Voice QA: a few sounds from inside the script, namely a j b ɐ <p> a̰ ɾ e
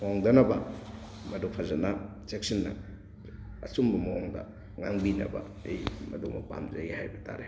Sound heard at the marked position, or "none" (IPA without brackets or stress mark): t